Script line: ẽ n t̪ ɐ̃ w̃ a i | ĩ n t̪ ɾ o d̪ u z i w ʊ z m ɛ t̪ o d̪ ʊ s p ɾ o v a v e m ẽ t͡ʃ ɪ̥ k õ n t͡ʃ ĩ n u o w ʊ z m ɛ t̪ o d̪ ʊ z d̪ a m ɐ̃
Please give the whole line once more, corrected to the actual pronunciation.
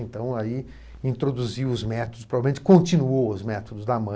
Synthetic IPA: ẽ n t̪ ɐ̃ w̃ a i | ĩ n t̪ ɾ o d̪ u z i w ʊ z m ɛ t̪ o d̪ ʊ s p ɾ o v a v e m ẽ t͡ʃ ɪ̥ k õ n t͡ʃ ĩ n u o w ʊ z m ɛ t̪ o d̪ ʊ z d̪ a m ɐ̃